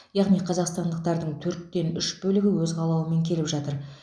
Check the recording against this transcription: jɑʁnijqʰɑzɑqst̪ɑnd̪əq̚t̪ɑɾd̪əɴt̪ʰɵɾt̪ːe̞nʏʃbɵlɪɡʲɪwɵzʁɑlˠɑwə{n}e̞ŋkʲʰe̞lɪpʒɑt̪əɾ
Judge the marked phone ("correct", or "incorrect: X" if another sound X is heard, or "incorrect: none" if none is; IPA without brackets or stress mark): incorrect: m